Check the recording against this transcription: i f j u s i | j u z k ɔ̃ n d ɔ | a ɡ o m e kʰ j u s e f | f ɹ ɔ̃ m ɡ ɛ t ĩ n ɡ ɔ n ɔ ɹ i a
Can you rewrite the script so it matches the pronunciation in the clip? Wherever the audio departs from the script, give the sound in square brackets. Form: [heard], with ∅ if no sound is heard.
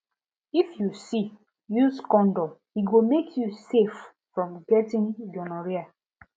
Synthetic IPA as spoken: i f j u s i | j u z k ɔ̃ n d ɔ | [i] ɡ o m e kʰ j u s e f | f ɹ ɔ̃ m ɡ ɛ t ĩ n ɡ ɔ n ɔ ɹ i a